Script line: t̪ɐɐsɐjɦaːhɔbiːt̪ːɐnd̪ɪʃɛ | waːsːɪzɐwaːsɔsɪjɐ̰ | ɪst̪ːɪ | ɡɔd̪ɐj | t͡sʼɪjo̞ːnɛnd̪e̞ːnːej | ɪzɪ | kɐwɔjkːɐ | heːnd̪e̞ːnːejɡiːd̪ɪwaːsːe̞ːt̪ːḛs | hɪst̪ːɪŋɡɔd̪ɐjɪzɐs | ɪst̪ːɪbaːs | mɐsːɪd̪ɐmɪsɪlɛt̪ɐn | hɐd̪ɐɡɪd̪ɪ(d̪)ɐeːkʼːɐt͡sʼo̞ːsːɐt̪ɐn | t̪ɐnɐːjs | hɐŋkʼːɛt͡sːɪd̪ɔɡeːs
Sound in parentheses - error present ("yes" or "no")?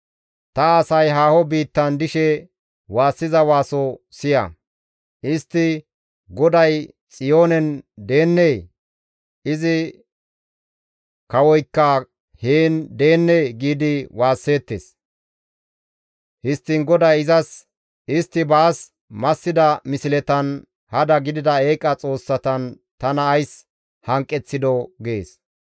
no